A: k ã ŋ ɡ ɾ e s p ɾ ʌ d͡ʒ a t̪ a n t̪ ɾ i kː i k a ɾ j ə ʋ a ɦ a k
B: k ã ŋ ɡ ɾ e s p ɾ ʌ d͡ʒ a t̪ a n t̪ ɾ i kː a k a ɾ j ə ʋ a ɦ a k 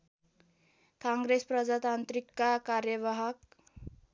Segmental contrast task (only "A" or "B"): B